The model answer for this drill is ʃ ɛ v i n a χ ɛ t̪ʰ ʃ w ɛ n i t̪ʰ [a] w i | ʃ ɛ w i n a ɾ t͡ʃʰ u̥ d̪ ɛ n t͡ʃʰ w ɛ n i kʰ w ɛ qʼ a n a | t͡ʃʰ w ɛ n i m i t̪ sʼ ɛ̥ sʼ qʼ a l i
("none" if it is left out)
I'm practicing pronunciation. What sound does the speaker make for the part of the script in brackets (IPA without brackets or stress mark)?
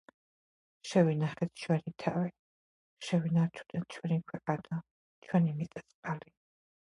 a